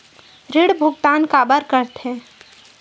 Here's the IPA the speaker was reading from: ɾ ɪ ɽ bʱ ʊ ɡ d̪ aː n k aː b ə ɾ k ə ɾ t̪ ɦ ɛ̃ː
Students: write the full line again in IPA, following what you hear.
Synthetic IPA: ɾ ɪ ɽ bʱ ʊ ɡ t̪ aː n k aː b ə ɾ k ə ɾ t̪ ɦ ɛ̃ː